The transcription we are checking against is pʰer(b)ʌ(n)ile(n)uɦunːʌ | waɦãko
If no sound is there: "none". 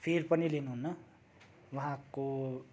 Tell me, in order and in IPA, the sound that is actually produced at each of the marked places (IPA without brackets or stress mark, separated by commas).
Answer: p, n, n